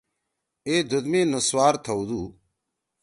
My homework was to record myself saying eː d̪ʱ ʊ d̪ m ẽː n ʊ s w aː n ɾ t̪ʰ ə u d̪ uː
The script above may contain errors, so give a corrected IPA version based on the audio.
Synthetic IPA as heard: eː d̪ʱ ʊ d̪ m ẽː n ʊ s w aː ɾ t̪ʰ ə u d̪ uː